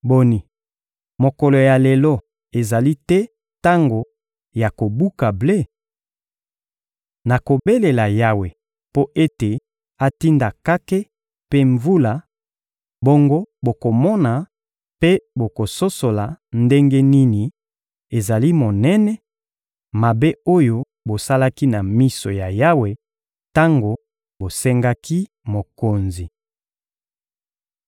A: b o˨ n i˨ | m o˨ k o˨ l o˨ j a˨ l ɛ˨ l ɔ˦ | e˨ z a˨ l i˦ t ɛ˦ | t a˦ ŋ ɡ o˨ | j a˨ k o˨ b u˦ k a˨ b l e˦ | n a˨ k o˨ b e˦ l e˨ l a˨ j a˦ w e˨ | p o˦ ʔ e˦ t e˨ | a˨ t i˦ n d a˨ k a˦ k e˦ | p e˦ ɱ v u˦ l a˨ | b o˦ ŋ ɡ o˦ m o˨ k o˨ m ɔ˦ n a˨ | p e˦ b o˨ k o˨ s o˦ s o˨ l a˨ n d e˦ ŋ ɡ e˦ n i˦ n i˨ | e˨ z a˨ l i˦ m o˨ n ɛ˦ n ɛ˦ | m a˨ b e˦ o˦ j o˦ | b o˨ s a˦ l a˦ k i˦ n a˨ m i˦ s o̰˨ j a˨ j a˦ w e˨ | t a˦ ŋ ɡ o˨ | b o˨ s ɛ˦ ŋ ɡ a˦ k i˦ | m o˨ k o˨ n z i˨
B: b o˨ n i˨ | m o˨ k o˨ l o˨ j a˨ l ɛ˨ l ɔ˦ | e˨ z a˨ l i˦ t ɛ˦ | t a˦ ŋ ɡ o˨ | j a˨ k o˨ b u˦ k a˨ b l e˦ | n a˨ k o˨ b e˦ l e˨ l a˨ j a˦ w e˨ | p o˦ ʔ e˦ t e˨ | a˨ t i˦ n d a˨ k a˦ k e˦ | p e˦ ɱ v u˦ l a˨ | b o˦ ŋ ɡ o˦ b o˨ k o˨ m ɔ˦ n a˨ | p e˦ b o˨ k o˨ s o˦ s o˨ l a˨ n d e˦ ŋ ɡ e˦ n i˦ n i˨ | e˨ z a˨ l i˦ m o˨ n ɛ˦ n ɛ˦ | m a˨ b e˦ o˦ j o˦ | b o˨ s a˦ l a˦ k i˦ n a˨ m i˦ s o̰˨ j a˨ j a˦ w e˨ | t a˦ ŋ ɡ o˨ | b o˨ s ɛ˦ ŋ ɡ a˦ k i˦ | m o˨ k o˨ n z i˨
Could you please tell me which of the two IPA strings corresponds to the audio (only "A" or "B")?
B